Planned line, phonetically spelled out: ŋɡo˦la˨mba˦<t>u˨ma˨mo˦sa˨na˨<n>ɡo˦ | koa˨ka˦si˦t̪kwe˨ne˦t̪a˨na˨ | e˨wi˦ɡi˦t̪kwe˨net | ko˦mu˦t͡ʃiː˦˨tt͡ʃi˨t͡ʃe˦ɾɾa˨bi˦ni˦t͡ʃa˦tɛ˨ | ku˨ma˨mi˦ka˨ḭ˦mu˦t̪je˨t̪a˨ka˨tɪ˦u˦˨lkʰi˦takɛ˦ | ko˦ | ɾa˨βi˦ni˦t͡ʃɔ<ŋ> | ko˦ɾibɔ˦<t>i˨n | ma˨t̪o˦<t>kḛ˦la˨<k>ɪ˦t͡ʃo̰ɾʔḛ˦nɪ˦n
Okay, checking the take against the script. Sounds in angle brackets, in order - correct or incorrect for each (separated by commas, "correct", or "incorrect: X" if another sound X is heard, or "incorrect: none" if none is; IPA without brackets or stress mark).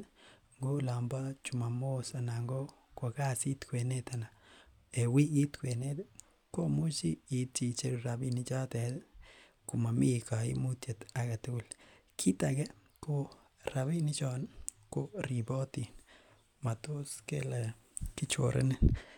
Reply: incorrect: t͡ʃ, incorrect: ŋ, incorrect: n, correct, incorrect: s, correct